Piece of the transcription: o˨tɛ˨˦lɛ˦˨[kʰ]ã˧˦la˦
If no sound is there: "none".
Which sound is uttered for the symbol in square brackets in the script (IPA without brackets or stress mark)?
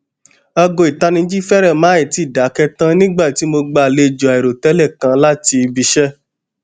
k